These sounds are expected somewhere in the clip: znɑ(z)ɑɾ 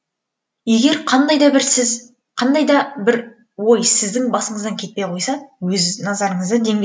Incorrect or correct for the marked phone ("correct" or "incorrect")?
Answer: correct